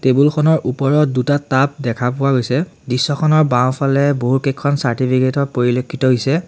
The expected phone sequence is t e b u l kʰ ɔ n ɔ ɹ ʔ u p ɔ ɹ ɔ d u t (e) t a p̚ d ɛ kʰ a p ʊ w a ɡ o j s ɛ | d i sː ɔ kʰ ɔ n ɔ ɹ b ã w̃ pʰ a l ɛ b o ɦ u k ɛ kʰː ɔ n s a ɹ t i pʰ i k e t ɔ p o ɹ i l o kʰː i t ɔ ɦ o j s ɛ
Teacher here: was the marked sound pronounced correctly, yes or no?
no